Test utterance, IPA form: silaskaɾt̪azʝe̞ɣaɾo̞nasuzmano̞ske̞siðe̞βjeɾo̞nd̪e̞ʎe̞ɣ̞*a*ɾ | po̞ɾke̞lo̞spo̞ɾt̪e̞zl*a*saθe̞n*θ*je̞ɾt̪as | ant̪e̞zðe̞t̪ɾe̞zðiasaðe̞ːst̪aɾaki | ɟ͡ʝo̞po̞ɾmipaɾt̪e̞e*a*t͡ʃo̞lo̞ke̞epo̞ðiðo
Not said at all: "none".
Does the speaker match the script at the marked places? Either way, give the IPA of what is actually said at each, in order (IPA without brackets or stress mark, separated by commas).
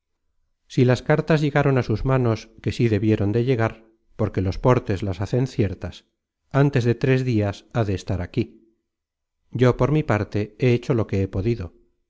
a, a, θ, e